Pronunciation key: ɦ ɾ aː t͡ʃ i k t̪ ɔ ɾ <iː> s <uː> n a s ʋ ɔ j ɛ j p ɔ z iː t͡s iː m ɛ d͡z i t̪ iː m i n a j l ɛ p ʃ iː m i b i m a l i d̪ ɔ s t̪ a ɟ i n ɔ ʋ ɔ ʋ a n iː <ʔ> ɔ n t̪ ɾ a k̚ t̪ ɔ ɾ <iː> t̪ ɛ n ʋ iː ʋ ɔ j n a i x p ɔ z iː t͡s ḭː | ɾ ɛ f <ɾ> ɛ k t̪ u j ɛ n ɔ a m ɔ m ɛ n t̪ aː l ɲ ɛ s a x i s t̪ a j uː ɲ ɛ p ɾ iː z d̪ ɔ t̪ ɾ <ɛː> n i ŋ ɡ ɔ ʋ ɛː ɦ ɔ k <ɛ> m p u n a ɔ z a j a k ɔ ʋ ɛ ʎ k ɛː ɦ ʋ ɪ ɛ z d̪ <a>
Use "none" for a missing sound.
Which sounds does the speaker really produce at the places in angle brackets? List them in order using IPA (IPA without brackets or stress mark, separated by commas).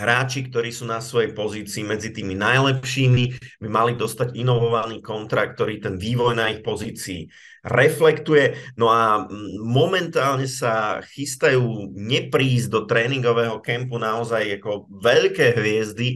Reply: iː, uː, k, iː, l, ɛː, ɛ, i